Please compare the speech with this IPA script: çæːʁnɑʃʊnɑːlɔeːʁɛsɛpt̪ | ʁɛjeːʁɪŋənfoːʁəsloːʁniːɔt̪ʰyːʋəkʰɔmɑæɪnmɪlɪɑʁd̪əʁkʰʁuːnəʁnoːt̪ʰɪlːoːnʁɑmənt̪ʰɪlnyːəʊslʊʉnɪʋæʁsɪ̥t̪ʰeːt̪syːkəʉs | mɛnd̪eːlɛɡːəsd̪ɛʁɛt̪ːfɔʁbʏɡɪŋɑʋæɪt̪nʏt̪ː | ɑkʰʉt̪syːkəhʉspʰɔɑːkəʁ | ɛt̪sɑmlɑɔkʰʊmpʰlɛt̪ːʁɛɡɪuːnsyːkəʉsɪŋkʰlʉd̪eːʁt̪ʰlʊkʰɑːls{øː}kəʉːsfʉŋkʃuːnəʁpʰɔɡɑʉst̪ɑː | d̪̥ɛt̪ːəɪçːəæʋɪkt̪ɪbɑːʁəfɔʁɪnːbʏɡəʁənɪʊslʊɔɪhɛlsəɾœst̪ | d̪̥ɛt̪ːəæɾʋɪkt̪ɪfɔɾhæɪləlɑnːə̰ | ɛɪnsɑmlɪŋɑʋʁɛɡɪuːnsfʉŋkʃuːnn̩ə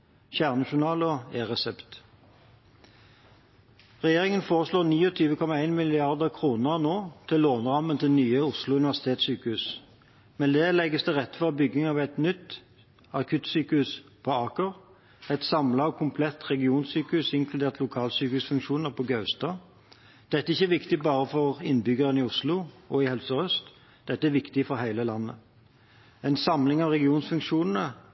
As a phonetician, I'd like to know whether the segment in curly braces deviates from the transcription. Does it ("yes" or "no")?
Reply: yes